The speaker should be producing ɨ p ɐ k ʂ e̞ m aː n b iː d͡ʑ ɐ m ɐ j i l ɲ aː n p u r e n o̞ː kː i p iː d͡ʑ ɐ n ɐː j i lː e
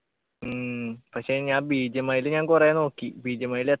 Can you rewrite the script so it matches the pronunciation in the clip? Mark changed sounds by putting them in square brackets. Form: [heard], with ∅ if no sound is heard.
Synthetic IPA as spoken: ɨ p ɐ k ʂ e̞ [ɲ] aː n b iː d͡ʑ ɐ m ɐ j i l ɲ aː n [k] u r e n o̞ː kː i [b] iː d͡ʑ ɐ [m] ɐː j i [l] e